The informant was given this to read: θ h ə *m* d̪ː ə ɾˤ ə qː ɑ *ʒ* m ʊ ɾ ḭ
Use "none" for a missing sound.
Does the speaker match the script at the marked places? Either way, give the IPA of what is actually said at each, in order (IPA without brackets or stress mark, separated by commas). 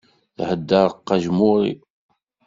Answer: none, ʒ